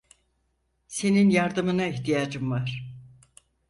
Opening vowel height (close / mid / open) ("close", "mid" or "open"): mid